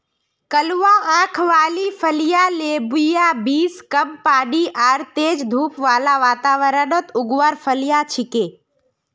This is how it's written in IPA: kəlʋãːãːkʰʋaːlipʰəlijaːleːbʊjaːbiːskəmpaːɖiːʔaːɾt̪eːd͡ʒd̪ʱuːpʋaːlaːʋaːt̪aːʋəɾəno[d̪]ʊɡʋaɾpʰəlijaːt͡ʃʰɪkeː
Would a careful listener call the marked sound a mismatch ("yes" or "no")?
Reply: yes